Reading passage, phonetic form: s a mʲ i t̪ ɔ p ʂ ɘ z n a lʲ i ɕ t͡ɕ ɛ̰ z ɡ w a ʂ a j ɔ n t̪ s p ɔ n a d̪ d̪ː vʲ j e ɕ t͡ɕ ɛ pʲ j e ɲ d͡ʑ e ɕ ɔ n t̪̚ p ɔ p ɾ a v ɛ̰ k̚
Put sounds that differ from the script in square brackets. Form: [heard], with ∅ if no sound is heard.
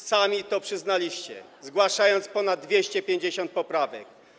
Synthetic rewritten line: s a mʲ i t̪ ɔ p ʂ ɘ z n a lʲ i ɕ t͡ɕ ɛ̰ z ɡ w a ʂ a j ɔ n t̪ s p ɔ n a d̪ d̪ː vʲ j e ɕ t͡ɕ ɛ pʲ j e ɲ d͡ʑ e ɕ ɔ n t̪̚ p ɔ p ɾ a v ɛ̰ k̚